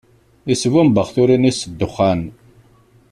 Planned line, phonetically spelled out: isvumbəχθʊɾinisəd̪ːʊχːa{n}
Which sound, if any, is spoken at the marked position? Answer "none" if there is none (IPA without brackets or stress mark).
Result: n